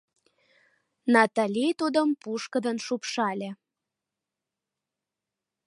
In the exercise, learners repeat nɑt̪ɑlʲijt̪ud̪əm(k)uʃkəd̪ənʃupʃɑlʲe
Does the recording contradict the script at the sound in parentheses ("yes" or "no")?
yes